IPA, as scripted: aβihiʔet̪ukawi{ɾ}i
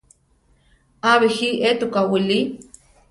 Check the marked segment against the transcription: incorrect: l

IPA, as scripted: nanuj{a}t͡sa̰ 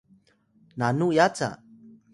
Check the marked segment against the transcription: correct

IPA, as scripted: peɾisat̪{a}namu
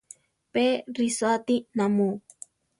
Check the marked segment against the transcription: incorrect: i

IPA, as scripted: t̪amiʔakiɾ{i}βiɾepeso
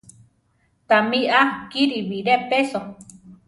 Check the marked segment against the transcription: correct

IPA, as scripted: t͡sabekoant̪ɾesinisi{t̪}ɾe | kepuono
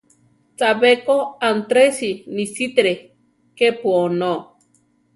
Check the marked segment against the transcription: correct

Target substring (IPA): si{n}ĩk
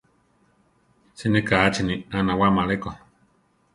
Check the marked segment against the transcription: correct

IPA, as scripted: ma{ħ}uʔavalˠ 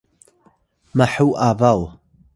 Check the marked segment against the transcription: correct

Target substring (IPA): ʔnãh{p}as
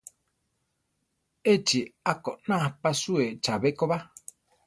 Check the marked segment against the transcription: correct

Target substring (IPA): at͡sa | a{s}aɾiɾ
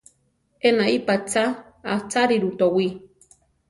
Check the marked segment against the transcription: incorrect: t͡s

